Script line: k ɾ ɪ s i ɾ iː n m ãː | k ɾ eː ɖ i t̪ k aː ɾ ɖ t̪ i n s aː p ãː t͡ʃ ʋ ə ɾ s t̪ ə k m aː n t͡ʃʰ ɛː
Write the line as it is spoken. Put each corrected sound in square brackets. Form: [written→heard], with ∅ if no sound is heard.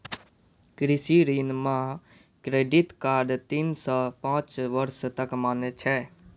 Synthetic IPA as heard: k ɾ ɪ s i ɾ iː n m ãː | k ɾ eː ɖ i t̪ k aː ɾ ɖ t̪ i n s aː p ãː t͡ʃ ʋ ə ɾ s t̪ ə k m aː n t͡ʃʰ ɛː